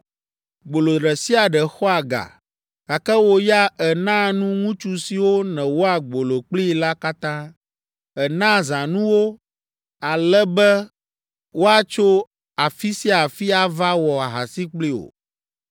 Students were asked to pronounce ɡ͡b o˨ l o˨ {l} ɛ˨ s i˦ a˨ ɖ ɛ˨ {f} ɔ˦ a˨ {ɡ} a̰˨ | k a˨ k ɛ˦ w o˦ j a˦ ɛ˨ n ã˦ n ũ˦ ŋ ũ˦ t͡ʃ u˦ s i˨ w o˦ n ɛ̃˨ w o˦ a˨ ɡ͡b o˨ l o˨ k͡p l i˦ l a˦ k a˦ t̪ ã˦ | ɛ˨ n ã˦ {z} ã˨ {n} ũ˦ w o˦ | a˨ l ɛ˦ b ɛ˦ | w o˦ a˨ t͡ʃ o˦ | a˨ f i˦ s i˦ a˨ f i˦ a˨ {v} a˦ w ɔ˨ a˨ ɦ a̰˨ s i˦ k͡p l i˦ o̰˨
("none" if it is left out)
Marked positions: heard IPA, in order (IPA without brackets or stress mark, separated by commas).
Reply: ɾ, x, ɡ, z, n, v